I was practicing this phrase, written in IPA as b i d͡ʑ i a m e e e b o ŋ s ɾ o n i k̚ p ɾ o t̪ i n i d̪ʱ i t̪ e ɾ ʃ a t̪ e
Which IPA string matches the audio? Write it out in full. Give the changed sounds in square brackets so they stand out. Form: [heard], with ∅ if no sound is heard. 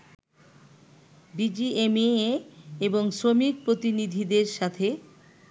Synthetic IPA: b i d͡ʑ i [e] m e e e b o ŋ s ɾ o [m] i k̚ p ɾ o t̪ i n i d̪ʱ i [d̪] e ɾ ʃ a [t̪ʰ] e